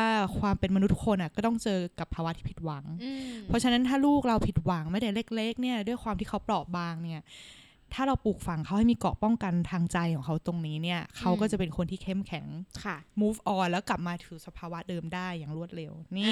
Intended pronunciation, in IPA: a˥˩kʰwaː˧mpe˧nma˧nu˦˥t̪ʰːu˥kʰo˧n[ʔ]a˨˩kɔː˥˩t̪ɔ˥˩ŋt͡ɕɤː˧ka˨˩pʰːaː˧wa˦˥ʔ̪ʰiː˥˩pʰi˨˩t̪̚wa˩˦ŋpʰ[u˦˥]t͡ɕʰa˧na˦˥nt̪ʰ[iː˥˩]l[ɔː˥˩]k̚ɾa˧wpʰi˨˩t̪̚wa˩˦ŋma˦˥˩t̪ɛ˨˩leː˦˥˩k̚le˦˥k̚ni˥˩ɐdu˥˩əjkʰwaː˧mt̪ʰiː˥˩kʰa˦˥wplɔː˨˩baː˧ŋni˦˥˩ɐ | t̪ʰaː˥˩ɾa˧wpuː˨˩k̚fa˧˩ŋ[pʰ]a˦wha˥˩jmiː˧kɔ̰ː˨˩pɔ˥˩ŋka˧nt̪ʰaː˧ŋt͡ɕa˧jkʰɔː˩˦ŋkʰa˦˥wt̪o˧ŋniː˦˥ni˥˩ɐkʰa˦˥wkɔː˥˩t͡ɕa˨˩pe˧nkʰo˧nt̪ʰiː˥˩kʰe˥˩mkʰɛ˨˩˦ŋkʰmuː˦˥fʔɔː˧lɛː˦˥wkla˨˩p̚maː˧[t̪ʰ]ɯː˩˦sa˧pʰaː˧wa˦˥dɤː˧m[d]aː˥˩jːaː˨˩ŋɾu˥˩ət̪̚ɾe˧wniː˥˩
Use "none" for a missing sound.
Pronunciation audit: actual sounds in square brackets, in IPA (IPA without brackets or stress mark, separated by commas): ʔ, ɔ˦˥, aː˥˩, uː˥˩, kʰ, t̪ʰ, d